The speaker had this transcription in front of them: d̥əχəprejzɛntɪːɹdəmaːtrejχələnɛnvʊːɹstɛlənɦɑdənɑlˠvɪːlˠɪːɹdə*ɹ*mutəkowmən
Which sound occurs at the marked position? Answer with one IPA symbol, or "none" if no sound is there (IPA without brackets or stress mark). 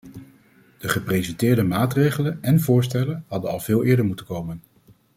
ɹ